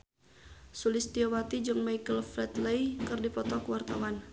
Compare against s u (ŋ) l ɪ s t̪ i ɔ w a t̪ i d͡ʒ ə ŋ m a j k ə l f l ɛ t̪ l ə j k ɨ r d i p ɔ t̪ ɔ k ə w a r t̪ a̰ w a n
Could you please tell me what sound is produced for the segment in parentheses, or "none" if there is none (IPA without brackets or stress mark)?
none